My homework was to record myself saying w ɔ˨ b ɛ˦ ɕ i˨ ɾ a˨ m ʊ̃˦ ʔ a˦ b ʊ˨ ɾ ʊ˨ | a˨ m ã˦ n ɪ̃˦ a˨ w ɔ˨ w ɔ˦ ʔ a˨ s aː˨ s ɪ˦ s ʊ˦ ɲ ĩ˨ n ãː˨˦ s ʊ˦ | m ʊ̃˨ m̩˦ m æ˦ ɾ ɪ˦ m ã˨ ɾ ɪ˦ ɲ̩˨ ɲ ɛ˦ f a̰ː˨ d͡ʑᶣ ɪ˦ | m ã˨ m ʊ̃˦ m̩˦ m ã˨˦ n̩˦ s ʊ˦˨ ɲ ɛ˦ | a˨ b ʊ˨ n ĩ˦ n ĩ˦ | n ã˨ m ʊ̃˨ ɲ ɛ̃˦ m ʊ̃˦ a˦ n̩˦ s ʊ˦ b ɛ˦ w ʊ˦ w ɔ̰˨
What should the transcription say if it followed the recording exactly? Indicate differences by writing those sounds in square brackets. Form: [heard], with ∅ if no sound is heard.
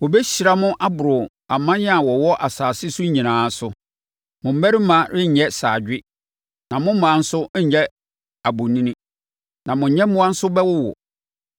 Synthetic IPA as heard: w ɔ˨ b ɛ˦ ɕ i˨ ɾ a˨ m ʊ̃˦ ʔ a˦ b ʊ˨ ɾ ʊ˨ | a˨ m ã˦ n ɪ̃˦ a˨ w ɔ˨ w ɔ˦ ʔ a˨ s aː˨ s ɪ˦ s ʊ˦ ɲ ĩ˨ n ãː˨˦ s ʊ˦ | m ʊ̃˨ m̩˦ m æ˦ ɾ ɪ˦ m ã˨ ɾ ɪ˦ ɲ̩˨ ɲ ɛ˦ [s] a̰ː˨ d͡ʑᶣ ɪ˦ | [n] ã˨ m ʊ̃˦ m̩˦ m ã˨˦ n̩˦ s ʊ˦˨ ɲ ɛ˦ | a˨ b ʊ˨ n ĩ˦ n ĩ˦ | n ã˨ m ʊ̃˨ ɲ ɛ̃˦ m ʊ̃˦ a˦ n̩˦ s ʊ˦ b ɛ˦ w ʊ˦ w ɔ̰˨